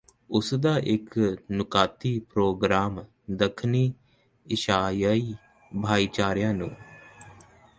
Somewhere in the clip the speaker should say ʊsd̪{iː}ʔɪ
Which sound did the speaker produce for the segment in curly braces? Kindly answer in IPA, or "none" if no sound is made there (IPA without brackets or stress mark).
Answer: aː